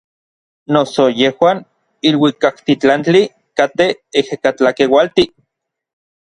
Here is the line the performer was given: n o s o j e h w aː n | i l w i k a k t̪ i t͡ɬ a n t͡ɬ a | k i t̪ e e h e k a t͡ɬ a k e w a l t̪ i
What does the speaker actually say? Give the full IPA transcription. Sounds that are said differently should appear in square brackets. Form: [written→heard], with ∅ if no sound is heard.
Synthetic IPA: n o s o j e h w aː n | i l w i k a k t̪ i t͡ɬ a n t͡ɬ [a→i] | k [i→a] t̪ e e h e k a t͡ɬ a k e w a l t̪ i